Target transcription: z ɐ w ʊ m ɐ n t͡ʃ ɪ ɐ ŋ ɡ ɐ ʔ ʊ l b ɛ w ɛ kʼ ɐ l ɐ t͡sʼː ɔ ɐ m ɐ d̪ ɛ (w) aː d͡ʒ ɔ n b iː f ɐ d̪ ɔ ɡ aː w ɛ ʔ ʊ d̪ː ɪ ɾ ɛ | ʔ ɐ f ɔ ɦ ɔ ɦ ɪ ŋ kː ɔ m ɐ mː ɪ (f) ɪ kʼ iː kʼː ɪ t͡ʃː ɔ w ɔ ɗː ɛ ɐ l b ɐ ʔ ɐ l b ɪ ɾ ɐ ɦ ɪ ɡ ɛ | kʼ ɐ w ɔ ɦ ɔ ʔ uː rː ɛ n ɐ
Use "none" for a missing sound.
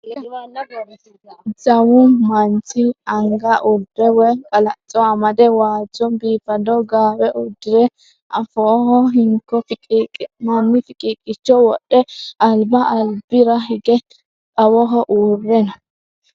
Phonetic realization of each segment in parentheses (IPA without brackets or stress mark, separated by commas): w, f